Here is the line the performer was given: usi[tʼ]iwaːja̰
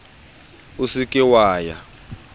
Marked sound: incorrect: kʼ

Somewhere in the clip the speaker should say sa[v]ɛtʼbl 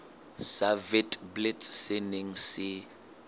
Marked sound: correct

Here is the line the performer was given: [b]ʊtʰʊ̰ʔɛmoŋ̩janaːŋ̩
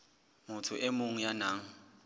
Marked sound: incorrect: m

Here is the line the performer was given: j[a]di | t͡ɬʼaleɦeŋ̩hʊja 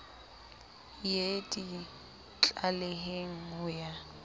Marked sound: incorrect: e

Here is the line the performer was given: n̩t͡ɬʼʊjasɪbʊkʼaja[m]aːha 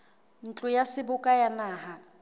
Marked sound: incorrect: n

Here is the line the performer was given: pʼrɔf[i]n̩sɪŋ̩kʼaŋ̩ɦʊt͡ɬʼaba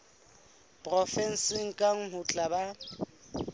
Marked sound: incorrect: ɛ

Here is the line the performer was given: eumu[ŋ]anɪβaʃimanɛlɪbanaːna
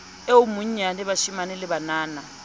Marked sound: incorrect: ɲ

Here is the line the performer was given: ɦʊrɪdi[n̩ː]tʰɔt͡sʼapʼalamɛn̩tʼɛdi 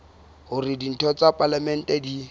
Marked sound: incorrect: n̩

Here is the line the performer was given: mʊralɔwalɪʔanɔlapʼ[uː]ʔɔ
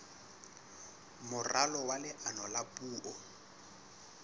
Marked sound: correct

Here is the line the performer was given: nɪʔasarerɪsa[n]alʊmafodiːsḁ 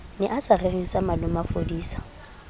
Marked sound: incorrect: m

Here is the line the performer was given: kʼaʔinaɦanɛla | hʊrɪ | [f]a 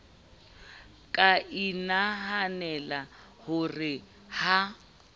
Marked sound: incorrect: h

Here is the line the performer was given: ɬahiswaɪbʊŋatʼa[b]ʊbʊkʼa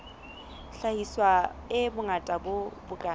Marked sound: correct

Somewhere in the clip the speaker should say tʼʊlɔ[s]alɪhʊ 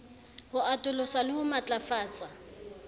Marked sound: correct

